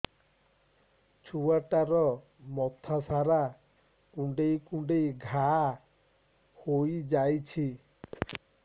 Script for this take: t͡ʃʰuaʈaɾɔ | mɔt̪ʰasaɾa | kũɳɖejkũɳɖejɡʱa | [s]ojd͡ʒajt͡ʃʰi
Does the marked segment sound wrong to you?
yes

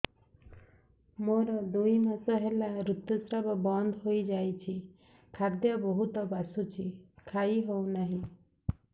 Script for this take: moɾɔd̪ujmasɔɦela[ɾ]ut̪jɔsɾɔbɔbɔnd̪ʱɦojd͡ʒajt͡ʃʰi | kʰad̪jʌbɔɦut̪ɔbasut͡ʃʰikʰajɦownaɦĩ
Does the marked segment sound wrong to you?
no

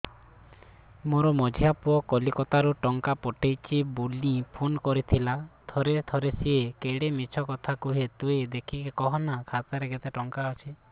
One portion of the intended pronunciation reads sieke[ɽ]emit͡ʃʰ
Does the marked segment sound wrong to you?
no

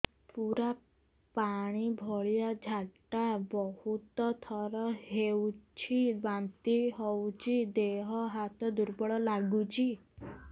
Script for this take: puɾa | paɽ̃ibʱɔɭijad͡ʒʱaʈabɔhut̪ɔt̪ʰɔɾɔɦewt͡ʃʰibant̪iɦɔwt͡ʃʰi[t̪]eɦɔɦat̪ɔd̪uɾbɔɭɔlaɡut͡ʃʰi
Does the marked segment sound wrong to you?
yes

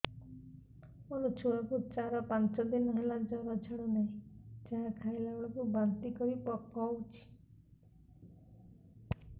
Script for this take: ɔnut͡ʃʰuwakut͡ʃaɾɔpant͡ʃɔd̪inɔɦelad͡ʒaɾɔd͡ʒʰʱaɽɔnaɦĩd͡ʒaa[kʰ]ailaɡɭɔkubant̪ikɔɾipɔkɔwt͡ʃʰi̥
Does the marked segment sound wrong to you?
no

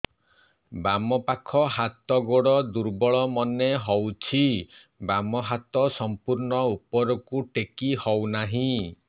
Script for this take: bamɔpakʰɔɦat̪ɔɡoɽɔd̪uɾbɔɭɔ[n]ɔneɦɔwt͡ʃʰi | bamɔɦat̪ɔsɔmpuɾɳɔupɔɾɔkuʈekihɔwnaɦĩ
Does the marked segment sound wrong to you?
yes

